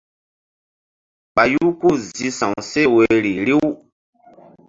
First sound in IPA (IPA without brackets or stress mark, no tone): k͡p